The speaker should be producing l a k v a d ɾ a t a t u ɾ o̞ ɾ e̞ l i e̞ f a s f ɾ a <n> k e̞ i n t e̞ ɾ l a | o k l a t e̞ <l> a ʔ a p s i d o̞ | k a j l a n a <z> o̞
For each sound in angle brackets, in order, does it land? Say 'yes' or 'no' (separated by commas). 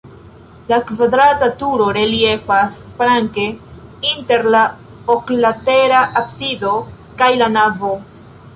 no, no, no